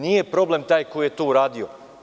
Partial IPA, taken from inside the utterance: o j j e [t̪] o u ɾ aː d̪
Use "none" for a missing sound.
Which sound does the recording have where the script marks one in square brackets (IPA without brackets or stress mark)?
t̪